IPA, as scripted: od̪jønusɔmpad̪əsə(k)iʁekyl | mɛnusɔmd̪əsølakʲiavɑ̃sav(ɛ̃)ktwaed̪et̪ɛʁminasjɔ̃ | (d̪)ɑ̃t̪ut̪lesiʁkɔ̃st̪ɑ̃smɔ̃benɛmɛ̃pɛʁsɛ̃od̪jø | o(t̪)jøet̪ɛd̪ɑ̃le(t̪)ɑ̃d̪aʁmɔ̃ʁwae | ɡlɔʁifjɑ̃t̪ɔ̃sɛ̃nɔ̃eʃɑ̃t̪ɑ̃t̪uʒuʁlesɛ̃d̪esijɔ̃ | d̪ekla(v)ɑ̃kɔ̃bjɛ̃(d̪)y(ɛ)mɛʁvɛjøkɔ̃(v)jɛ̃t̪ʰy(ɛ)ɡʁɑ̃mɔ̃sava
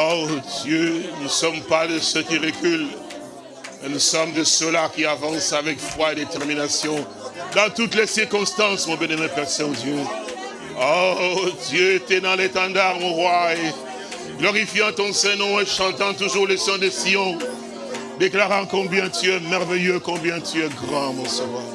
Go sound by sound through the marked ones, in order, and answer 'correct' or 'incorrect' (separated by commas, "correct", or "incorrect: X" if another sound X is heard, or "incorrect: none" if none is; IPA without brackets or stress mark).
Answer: correct, incorrect: ɛ, correct, incorrect: d̪, correct, incorrect: ʁ, incorrect: t̪, correct, incorrect: b, correct